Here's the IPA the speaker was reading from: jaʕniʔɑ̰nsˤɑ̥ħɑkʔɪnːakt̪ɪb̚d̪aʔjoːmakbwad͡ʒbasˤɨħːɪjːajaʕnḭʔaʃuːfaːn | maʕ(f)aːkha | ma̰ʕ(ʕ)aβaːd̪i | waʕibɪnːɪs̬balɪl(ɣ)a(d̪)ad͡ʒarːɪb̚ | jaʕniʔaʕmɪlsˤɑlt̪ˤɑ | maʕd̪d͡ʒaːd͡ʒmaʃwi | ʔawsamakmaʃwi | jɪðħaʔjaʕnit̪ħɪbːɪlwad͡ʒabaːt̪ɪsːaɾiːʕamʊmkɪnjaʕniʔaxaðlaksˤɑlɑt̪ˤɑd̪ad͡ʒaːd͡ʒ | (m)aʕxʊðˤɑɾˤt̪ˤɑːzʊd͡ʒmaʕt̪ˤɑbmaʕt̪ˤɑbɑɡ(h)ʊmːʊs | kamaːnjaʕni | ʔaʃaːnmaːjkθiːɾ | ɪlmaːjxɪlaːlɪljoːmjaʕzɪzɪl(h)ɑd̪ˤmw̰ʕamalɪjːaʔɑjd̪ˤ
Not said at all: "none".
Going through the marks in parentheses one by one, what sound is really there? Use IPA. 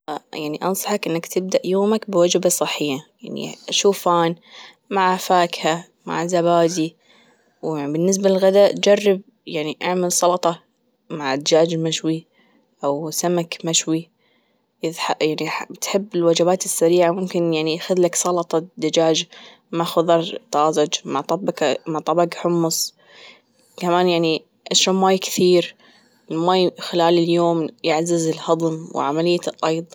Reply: f, z, ɣ, d̪, m, ħ, h

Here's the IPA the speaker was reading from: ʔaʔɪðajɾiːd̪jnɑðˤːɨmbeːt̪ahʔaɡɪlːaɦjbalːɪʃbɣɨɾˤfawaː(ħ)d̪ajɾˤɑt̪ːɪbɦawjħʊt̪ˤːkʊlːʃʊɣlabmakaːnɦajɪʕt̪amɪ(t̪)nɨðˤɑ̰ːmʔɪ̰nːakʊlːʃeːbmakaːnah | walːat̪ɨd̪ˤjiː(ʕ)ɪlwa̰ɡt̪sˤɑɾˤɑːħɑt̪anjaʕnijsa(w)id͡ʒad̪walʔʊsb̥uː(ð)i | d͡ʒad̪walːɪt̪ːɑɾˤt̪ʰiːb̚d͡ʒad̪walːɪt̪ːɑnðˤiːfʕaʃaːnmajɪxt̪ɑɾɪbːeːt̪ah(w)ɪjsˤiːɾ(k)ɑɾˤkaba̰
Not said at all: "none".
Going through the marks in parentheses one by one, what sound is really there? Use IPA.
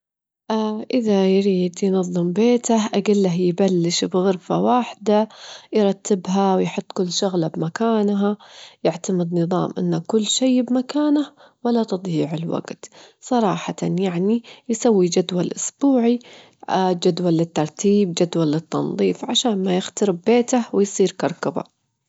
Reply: ħ, d̪, ʕ, wː, ʕ, w, k

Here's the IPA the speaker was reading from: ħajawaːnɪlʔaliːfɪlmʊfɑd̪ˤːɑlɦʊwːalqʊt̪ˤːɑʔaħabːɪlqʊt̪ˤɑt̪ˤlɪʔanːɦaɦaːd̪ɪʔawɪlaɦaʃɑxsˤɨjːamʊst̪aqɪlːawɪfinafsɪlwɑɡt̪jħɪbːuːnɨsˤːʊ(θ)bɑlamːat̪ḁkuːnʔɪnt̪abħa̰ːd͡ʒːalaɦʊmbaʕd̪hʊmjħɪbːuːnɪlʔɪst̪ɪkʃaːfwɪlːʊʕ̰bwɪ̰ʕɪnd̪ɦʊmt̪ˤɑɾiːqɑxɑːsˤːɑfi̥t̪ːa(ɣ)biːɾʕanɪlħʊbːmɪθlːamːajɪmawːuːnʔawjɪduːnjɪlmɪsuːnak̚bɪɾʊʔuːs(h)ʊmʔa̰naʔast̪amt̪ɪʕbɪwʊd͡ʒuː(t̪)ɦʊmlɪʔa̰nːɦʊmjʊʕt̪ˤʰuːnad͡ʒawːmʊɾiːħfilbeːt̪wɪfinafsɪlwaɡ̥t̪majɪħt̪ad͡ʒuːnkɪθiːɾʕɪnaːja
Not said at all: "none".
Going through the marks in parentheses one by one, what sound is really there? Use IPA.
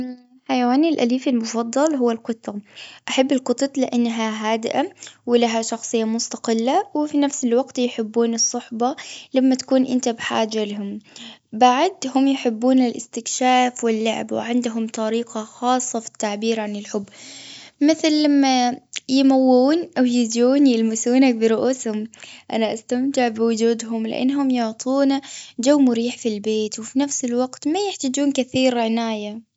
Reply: ħ, ʕ, h, d̪

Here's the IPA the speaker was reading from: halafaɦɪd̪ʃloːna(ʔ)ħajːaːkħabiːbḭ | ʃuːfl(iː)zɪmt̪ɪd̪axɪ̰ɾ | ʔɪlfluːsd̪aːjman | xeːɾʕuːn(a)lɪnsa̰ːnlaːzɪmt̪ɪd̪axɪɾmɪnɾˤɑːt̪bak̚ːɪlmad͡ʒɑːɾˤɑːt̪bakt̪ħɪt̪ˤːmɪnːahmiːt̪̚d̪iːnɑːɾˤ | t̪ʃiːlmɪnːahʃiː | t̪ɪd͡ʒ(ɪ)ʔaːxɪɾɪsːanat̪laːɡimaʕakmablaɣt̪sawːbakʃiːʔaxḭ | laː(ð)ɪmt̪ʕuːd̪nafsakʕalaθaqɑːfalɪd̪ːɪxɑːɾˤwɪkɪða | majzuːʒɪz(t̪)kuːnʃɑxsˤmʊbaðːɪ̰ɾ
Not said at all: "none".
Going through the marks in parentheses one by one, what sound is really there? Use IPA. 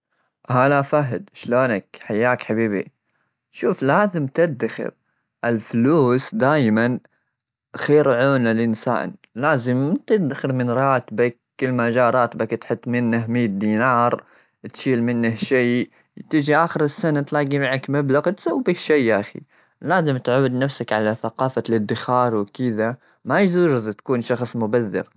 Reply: k, aː, a, i, z, t̪

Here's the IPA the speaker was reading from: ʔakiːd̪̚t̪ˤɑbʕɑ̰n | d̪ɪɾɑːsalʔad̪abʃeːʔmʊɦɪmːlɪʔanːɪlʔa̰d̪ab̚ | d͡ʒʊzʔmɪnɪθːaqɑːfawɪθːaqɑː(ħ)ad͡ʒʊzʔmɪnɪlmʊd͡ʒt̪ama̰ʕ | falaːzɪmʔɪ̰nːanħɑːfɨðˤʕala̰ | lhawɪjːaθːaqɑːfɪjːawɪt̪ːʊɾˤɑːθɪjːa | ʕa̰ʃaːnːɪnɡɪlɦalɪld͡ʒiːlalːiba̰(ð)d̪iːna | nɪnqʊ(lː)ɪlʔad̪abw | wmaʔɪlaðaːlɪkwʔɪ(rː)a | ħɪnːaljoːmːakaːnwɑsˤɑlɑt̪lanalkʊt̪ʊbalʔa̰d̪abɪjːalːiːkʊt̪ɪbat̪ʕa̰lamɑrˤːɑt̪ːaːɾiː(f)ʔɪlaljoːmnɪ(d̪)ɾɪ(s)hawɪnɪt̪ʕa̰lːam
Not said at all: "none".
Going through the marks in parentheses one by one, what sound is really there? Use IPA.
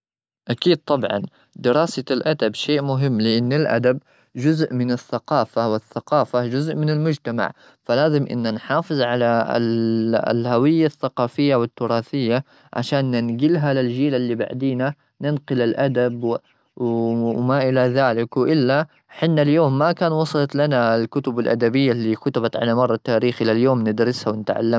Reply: f, ʕ, l, lː, x, d̪, s

